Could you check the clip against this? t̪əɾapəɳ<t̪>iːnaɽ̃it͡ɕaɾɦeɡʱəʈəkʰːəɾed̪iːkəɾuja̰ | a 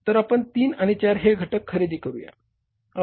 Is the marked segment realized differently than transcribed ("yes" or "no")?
no